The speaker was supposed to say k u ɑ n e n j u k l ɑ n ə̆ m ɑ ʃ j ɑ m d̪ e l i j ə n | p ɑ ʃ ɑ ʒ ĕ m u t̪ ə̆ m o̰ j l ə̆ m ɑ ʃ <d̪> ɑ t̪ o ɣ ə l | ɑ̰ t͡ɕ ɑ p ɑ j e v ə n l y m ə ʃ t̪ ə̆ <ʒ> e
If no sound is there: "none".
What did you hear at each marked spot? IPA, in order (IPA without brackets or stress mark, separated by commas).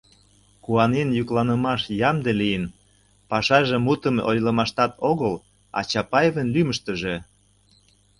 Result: t̪, ʒ